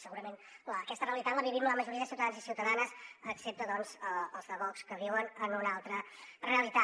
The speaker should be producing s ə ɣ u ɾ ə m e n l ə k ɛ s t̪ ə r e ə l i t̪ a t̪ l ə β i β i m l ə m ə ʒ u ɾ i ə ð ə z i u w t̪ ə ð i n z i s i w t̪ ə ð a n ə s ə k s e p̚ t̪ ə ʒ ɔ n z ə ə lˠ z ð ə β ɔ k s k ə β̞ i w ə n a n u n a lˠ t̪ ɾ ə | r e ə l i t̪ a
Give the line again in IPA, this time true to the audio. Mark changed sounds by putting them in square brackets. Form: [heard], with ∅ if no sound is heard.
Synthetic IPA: s ə ɣ u ɾ ə m e n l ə k ɛ s t̪ ə r e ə l i t̪ a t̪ l ə β i β i m l ə m ə ʒ u ɾ i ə ð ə [s] i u w t̪ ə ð [a] n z i s i w t̪ ə ð a n ə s ə k s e p̚ t̪ ə [ð] ɔ n z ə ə lˠ z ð ə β ɔ k s k ə β̞ i w ə n [ə] n u n a lˠ t̪ ɾ ə | r e ə l i t̪ a